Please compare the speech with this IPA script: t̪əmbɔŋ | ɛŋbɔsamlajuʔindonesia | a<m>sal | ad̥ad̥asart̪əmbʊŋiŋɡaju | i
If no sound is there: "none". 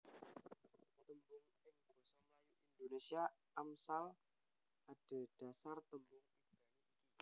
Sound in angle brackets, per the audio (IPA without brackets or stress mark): m